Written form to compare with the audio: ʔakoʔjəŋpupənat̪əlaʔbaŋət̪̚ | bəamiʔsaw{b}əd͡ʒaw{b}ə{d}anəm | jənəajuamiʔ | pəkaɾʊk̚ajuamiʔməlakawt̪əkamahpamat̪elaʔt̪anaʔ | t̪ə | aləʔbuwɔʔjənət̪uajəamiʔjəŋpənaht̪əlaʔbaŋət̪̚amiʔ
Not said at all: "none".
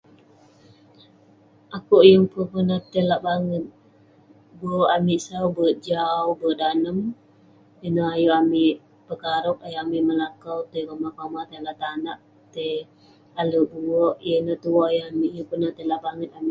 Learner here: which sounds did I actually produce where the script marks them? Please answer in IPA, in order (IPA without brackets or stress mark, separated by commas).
b, b, d